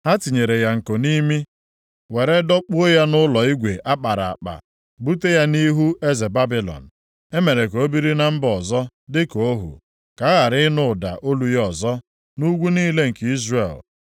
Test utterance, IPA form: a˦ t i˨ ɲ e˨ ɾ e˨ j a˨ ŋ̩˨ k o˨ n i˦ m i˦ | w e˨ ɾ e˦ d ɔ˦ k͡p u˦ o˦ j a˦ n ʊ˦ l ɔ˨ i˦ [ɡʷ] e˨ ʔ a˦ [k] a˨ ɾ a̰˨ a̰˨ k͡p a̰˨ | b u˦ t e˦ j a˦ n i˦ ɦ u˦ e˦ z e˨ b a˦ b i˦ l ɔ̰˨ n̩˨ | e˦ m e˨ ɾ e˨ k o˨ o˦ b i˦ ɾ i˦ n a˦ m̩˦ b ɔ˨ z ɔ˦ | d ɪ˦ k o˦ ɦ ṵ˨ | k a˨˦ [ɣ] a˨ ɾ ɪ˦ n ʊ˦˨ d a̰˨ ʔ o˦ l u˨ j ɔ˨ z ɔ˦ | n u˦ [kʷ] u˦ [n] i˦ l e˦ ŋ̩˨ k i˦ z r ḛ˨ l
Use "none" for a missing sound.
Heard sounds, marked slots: ɡʷ, k͡p, ɣ, ɡʷ, n

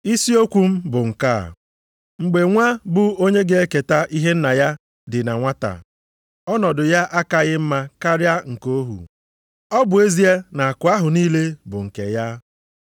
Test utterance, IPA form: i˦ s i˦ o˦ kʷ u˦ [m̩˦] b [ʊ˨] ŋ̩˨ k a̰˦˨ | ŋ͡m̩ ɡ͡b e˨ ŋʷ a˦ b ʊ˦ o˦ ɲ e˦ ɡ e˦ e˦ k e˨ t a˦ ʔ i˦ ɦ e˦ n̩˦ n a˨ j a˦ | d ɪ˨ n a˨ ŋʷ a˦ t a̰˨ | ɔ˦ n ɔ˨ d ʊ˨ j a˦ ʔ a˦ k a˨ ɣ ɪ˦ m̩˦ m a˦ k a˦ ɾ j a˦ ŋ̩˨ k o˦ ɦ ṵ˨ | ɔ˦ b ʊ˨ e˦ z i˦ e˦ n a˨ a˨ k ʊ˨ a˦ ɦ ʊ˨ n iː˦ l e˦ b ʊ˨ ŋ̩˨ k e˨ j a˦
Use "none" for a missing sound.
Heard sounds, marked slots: m̩˦, ʊ˨

